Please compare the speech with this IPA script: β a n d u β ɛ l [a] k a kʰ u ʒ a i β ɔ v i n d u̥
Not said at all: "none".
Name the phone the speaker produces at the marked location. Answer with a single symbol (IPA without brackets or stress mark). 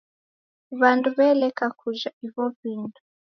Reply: ɛ